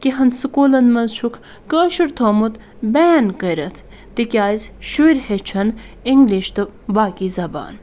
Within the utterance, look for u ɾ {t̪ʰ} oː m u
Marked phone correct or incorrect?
correct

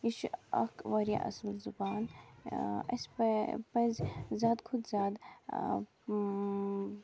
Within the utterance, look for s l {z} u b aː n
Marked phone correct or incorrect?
correct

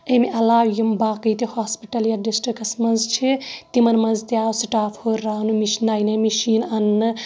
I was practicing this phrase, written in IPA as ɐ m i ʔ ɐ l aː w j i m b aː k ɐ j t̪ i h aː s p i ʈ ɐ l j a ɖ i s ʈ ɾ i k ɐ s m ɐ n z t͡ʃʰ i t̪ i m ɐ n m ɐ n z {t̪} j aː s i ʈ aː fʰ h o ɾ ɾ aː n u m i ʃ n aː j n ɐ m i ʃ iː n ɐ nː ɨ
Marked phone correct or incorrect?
correct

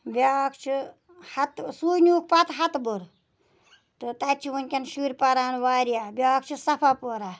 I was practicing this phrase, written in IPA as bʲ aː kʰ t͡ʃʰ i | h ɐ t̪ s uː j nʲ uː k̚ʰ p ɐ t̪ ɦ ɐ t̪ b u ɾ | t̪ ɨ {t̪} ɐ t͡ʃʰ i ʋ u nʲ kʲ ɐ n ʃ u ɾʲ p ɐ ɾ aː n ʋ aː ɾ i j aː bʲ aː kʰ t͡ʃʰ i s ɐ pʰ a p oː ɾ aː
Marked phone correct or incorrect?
correct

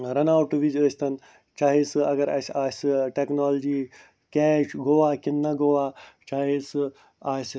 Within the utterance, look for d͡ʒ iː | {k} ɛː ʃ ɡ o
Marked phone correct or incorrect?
correct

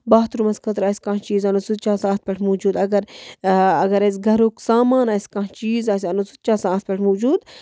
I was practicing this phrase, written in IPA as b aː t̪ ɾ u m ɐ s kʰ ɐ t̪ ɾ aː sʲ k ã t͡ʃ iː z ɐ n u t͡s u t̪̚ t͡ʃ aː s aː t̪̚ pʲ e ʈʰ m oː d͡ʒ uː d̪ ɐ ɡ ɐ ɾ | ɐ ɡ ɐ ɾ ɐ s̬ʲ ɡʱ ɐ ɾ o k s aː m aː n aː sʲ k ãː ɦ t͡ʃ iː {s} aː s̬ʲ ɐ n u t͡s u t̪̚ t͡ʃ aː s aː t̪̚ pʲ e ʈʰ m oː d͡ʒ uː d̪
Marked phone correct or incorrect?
incorrect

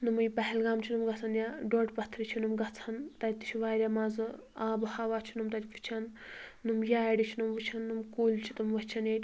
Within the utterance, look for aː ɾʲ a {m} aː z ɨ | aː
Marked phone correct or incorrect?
correct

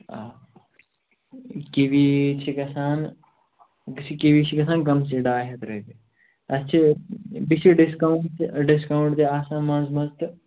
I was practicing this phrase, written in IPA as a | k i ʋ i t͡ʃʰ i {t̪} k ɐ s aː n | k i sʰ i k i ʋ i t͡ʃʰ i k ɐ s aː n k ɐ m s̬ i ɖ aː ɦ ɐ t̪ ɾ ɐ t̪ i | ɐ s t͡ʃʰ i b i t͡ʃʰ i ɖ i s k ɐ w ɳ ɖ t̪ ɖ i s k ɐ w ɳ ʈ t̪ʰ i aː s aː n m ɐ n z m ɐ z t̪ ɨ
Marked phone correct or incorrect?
incorrect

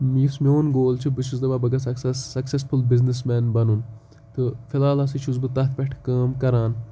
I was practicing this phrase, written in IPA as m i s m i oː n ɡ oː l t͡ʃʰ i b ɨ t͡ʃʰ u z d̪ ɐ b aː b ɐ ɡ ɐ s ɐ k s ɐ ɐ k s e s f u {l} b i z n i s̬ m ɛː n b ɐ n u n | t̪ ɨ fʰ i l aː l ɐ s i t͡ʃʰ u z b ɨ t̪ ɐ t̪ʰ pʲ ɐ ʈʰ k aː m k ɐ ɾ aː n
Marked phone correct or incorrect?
correct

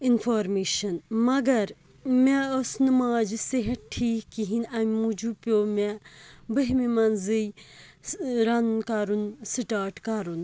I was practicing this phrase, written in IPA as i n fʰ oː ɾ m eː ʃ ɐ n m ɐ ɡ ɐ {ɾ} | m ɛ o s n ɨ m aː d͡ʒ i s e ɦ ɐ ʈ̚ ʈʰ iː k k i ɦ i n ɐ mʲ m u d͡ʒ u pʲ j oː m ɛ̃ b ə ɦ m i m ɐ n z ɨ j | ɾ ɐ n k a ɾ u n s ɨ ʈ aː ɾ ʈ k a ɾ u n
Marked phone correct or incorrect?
correct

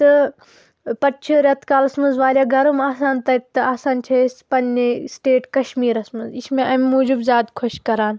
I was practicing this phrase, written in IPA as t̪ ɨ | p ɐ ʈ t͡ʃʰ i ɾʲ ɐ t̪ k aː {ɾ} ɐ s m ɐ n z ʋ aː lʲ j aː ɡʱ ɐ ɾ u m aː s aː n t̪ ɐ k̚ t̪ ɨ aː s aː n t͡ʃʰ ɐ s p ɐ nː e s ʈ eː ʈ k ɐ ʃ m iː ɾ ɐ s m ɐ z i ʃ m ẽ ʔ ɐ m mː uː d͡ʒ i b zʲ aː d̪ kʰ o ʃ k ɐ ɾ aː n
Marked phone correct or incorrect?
incorrect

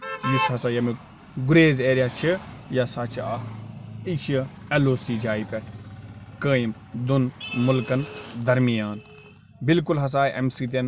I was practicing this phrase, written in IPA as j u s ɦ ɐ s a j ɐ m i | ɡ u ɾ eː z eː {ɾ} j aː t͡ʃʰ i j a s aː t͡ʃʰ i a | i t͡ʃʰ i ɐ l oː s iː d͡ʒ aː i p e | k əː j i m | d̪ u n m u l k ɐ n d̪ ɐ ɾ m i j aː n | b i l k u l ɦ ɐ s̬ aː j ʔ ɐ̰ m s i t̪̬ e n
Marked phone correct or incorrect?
correct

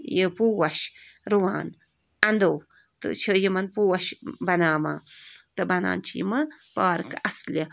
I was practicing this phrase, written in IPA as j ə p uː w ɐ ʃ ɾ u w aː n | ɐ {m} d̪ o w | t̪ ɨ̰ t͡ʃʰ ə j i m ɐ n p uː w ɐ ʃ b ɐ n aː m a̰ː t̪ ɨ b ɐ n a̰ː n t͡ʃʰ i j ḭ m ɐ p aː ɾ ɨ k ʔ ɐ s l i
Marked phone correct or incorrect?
incorrect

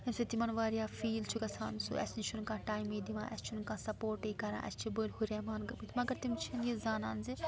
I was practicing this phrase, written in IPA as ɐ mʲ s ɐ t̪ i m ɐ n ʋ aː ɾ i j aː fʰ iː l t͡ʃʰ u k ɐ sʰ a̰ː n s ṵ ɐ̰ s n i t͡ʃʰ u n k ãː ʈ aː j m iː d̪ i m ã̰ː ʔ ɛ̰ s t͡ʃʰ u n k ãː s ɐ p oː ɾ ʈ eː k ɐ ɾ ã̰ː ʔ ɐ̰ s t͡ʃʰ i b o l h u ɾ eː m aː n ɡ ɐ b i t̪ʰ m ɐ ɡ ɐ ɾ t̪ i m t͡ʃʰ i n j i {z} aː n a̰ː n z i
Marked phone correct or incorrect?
correct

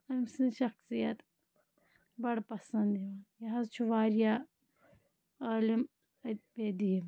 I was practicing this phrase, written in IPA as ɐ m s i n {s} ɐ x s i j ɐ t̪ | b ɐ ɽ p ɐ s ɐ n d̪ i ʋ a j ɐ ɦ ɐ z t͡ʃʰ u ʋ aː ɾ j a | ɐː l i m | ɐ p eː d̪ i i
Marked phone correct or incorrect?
incorrect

